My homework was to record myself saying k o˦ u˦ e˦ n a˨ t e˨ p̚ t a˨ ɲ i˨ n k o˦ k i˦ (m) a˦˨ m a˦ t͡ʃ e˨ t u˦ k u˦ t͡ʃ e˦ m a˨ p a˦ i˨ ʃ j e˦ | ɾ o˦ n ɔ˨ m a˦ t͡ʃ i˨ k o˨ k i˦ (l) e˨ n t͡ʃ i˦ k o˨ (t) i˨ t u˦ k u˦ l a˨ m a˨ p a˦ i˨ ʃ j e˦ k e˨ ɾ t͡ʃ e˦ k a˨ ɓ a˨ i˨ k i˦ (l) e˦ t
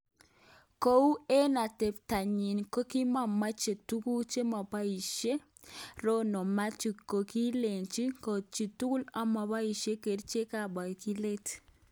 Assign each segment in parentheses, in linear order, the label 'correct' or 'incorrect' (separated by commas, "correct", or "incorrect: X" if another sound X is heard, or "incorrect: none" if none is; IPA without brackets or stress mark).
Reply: correct, correct, incorrect: t͡ʃ, correct